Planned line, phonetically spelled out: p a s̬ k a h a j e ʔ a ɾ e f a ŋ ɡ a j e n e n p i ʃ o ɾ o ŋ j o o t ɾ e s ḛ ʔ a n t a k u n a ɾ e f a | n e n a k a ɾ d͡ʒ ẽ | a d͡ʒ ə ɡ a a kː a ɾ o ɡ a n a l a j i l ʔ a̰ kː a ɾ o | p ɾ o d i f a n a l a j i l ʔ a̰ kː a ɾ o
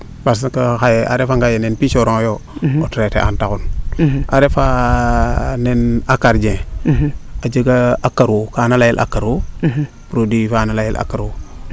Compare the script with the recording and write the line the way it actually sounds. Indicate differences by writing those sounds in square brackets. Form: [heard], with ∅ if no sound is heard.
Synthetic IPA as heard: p a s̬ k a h a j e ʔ a ɾ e f a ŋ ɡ a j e n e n p i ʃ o ɾ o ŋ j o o t ɾ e [t] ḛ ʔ a n t a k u n a ɾ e f a | n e n a k a ɾ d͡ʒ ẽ | a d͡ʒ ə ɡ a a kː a ɾ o [k] a n a l a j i l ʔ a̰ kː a ɾ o | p ɾ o d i f a n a l a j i l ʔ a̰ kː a ɾ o